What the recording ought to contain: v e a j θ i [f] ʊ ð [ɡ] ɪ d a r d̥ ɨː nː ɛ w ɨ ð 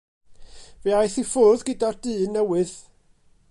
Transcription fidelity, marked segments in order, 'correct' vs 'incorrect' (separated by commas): correct, correct